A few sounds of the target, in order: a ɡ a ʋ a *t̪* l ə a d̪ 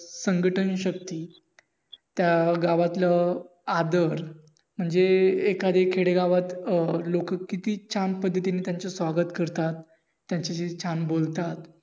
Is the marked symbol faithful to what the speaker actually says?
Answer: yes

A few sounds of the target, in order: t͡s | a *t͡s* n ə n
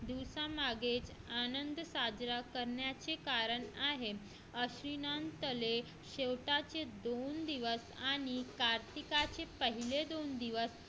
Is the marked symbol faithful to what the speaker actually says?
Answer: no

